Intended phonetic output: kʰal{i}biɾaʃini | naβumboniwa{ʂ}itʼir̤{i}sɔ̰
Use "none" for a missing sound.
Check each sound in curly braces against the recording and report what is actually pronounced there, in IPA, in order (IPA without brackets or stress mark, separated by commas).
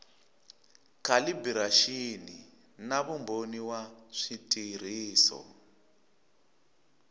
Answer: i, ʂ, iː